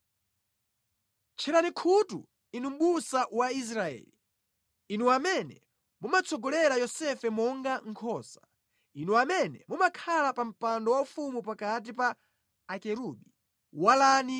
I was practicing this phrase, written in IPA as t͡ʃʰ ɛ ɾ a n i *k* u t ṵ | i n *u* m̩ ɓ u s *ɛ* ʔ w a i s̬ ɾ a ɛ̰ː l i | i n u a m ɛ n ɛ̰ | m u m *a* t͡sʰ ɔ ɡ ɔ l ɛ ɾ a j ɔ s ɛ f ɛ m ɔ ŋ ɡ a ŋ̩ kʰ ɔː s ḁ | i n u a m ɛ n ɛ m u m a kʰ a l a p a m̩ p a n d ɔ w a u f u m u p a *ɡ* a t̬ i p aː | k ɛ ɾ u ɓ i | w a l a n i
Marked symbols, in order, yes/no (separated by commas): no, yes, no, yes, no